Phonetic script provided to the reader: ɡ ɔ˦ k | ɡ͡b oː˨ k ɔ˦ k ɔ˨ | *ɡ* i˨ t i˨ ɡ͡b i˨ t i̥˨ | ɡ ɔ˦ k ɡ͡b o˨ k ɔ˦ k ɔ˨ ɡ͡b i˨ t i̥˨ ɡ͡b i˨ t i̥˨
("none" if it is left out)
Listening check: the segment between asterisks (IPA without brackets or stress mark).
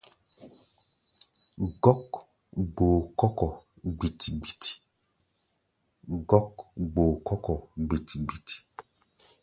ɡ͡b